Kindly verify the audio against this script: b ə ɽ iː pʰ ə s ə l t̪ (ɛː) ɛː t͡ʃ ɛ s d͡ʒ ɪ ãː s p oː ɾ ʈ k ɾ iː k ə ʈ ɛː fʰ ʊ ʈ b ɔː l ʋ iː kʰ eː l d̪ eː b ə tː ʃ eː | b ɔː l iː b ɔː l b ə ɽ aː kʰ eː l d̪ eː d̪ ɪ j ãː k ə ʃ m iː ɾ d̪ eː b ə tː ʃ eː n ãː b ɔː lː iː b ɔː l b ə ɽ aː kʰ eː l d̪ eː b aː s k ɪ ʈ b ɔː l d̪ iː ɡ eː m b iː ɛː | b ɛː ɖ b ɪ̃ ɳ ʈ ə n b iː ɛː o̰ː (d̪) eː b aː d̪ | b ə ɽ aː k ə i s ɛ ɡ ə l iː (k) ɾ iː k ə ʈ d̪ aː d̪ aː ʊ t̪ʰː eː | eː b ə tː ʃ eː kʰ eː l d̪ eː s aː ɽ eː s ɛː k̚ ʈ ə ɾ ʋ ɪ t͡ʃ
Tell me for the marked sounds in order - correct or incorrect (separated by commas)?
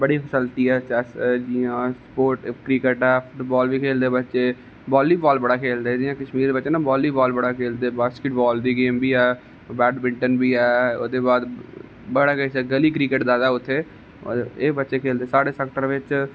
incorrect, correct, correct